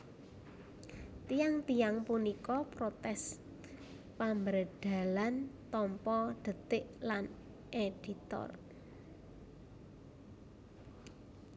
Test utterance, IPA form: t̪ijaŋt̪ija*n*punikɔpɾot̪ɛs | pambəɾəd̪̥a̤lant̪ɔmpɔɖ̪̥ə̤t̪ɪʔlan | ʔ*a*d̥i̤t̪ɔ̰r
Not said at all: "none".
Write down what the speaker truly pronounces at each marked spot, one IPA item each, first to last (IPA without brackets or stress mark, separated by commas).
ŋ, e